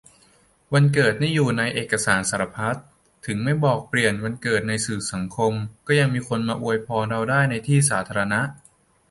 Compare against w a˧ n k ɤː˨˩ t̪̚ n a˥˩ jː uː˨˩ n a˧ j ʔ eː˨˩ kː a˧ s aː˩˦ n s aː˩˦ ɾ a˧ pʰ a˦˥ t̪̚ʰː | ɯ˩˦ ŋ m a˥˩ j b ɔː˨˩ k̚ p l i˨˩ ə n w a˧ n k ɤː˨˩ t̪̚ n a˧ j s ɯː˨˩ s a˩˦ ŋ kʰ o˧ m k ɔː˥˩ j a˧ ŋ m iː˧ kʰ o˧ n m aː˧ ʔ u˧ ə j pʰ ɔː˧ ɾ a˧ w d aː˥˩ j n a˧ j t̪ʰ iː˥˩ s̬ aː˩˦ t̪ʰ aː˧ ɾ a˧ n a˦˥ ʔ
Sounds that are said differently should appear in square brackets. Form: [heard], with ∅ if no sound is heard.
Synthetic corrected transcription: w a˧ n k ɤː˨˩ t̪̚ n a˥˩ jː uː˨˩ n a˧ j ʔ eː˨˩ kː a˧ s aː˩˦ n s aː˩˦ ɾ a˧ pʰ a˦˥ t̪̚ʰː | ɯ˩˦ ŋ m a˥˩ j b ɔː˨˩ k̚ p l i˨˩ ə n w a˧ n k ɤː˨˩ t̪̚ n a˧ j s ɯː˨˩ s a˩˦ ŋ kʰ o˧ m k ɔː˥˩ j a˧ ŋ m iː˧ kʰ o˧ n m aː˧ ʔ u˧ ə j pʰ ɔː˧ ɾ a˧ w d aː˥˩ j n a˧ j t̪ʰ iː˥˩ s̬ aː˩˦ t̪ʰ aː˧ ɾ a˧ n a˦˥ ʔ